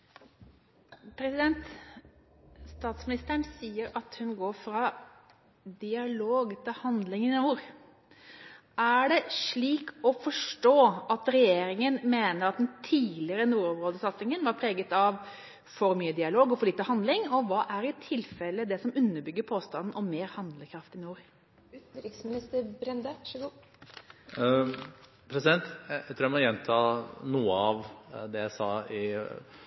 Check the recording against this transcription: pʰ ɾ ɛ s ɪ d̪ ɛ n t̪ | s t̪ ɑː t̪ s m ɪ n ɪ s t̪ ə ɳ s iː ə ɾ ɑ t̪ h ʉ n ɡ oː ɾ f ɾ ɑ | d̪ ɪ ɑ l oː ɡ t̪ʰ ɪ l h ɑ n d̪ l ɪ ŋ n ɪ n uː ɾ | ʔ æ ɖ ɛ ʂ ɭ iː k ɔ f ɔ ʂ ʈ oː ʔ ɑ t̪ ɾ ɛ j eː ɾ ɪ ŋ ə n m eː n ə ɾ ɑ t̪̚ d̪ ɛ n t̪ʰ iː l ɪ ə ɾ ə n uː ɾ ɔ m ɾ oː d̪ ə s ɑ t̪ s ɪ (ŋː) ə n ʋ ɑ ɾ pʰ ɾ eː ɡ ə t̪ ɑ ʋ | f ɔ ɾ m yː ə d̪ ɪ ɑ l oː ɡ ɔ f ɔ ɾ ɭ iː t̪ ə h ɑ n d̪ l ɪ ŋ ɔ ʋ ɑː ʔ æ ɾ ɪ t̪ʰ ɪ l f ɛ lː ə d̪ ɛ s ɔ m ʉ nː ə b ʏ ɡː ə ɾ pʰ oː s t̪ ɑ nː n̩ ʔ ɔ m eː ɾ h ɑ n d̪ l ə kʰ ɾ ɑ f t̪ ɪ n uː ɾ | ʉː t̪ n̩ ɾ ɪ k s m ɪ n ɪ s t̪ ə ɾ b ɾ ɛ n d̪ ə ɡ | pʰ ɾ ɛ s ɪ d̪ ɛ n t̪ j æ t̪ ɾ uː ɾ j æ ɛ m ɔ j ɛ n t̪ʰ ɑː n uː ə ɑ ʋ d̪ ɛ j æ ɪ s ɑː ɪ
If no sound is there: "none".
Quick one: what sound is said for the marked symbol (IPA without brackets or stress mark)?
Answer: ŋ